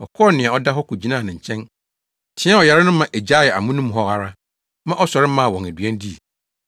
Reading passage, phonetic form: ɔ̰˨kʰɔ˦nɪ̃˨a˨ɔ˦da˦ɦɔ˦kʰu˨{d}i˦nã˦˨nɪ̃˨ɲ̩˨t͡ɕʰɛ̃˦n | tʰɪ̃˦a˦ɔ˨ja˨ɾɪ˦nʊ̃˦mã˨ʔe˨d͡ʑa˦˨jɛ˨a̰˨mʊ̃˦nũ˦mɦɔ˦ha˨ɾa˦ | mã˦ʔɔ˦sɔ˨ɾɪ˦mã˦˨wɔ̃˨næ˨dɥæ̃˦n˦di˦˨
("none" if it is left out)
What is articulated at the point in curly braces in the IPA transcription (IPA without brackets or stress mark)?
d͡ʑ